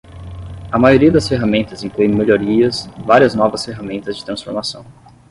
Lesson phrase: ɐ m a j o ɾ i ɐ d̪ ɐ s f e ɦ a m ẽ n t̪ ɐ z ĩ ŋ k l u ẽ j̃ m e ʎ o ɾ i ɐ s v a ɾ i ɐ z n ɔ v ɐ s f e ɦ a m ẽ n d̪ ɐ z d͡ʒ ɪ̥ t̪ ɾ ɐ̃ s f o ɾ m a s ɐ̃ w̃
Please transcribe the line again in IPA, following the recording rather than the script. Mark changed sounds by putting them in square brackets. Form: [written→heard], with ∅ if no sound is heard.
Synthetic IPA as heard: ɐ m a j o ɾ i ɐ d̪ ɐ s f e ɦ a m ẽ n t̪ ɐ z ĩ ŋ k l u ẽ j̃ m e ʎ o ɾ i ɐ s v a ɾ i ɐ z n ɔ v ɐ s f e ɦ a m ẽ n [d̪→t̪] ɐ z d͡ʒ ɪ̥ t̪ ɾ ɐ̃ s f o ɾ m a s ɐ̃ w̃